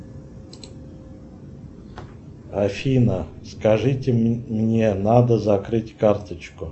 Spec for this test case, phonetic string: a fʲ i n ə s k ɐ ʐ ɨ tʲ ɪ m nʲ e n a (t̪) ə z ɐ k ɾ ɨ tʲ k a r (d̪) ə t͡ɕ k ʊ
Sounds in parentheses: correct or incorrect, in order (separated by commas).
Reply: incorrect, incorrect